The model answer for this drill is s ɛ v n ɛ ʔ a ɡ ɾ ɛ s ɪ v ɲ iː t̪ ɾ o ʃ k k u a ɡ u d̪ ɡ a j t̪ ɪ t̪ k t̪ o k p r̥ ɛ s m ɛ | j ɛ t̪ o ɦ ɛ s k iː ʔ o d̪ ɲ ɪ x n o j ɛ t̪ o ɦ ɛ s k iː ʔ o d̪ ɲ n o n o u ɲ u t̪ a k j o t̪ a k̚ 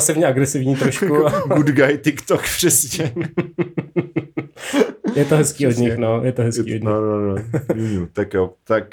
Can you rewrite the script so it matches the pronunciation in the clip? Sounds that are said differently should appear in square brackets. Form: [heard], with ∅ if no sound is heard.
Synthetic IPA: s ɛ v [ɲ] ɛ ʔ a ɡ ɾ ɛ s ɪ v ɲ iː t̪ ɾ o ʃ k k u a ɡ u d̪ ɡ a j t̪ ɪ [∅] k t̪ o k p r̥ ɛ s [ɲ] ɛ | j ɛ t̪ o ɦ ɛ s k iː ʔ o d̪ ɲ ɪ x n o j ɛ t̪ o ɦ ɛ s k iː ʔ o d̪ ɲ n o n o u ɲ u t̪ a k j o t̪ a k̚